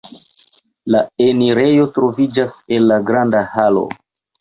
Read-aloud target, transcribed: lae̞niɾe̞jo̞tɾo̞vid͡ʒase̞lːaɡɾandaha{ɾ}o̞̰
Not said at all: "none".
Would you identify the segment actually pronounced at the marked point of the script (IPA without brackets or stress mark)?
l